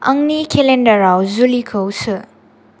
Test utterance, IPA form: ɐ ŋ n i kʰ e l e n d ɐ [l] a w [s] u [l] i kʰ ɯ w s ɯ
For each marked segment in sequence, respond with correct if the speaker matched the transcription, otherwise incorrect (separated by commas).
incorrect, incorrect, correct